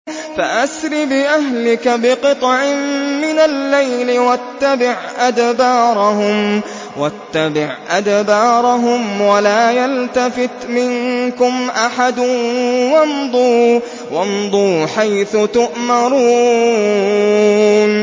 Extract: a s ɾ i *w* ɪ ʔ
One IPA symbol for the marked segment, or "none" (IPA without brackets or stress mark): b